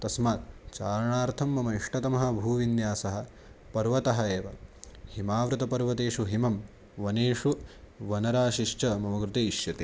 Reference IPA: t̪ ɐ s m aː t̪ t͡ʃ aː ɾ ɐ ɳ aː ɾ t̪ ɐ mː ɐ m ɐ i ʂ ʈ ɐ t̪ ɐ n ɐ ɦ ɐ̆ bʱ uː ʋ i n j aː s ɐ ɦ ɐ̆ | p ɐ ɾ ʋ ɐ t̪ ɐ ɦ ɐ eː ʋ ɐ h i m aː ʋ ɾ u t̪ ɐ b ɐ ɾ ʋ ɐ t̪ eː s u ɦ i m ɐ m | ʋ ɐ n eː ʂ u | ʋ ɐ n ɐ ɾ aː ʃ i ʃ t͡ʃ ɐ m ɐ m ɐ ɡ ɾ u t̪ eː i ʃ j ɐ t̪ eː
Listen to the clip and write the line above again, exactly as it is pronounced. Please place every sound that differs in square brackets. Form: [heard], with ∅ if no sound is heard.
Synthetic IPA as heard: t̪ ɐ s m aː t̪ t͡ʃ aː ɾ ɐ ɳ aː ɾ [t̪ʰ] ɐ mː ɐ m ɐ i ʂ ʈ ɐ t̪ ɐ [m] ɐ ɦ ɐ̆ bʱ uː ʋ i n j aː s ɐ ɦ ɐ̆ | p ɐ ɾ ʋ ɐ t̪ ɐ ɦ ɐ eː ʋ ɐ h i m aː ʋ ɾ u t̪ ɐ [p] ɐ ɾ ʋ ɐ t̪ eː [ʂ] u ɦ i m ɐ m | ʋ ɐ n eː ʂ u | ʋ ɐ n ɐ ɾ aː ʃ i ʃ t͡ʃ ɐ m ɐ m ɐ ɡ ɾ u t̪ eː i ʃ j ɐ t̪ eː